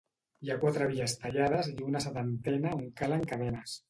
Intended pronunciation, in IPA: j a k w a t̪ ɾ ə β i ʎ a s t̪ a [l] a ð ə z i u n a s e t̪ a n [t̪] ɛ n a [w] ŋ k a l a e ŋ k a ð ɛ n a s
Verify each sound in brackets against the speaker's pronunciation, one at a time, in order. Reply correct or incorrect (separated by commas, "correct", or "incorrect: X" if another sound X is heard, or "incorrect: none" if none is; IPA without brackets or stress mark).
incorrect: ʎ, correct, incorrect: u